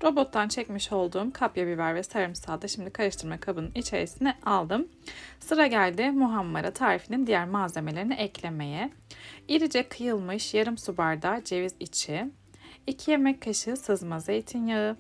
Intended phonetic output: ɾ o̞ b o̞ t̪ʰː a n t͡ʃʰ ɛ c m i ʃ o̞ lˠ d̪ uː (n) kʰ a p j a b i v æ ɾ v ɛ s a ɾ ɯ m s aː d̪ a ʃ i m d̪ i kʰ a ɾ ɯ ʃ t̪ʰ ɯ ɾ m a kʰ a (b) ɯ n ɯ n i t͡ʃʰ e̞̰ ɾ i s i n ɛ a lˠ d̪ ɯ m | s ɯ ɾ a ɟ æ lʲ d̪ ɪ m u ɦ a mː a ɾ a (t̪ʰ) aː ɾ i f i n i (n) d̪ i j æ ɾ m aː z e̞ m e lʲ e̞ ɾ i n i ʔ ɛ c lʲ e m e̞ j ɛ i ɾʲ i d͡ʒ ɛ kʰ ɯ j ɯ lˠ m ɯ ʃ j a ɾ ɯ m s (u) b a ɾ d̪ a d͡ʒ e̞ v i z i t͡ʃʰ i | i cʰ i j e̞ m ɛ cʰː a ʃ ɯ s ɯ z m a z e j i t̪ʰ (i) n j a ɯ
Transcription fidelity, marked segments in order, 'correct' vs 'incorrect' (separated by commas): incorrect, correct, correct, correct, correct, correct